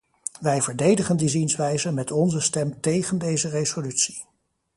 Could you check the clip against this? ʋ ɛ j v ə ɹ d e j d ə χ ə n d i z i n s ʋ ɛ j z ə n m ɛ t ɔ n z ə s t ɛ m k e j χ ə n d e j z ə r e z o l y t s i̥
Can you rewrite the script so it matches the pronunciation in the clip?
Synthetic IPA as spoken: ʋ ɛ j v ə ɹ d e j d ə χ ə n d i z i n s ʋ ɛ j z ə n m ɛ t ɔ n z ə s t ɛ m t e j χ ə n d e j z ə r e z o l y t s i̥